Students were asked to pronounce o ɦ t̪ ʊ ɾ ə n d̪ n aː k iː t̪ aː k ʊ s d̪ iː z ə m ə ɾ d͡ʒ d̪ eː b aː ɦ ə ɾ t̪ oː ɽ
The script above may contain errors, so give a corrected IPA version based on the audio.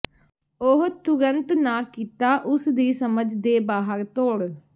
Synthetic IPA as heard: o ɦ t̪ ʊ ɾ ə n t̪ n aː k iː t̪ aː ʔ ʊ s d̪ iː s ə m ə d͡ʒ d̪ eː b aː ɦ ə ɾ t̪ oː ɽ